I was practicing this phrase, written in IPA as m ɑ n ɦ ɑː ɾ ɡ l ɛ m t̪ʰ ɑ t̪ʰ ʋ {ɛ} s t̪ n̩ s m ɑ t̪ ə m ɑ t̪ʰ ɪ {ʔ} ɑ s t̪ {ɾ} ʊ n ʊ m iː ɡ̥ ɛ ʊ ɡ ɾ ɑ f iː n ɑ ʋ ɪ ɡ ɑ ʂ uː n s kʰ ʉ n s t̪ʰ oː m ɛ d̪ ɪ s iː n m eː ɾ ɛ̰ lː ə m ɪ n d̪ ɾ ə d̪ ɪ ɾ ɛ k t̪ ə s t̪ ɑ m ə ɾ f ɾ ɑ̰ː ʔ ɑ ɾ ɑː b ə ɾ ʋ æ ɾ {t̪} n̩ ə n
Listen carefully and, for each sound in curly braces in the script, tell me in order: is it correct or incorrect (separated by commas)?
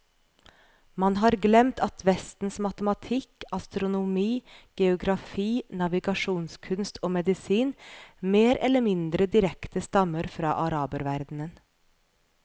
correct, incorrect, correct, incorrect